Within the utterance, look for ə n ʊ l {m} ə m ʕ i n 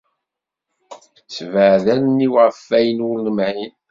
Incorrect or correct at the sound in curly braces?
incorrect: n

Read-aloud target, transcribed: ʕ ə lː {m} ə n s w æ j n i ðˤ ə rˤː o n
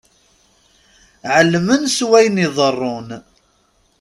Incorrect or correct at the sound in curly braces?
correct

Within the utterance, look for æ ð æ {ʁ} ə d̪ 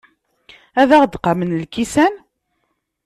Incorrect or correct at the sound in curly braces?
correct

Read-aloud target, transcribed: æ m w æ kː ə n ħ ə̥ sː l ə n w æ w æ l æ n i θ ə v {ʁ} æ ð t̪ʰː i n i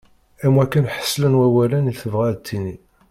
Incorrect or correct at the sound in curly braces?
correct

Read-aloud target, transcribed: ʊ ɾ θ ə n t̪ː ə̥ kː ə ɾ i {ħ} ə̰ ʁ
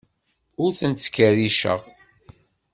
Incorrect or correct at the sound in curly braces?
incorrect: ʃ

